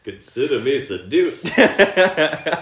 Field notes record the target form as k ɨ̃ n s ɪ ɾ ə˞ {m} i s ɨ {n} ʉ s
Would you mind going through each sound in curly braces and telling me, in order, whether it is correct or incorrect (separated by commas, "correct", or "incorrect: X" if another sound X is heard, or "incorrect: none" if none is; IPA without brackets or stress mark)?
correct, incorrect: d